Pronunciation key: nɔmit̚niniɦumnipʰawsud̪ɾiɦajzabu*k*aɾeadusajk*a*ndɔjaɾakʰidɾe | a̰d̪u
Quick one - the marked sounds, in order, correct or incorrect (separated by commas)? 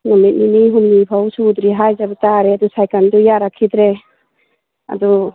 incorrect, correct